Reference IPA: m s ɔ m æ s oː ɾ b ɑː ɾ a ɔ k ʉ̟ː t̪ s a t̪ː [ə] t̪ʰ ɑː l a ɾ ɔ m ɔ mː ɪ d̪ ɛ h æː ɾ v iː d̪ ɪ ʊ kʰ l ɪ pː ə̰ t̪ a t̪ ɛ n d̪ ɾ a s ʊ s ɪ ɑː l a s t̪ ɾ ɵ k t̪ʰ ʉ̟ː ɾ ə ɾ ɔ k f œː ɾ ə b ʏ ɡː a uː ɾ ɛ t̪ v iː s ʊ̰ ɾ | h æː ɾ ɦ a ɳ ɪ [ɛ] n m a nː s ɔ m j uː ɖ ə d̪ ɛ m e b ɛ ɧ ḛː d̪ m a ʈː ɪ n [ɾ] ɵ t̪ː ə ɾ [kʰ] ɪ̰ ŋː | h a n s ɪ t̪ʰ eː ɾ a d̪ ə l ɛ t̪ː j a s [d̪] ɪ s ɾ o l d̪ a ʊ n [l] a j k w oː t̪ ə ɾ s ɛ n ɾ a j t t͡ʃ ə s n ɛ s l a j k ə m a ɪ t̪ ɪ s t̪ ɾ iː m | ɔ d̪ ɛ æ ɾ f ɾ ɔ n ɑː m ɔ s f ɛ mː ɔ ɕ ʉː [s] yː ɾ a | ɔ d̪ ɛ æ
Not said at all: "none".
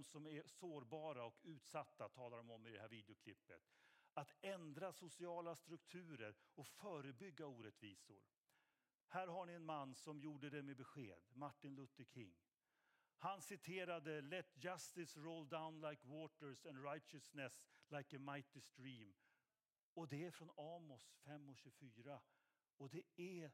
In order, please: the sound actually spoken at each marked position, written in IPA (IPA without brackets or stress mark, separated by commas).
a, ɛ, l, kʰ, t̪, l, f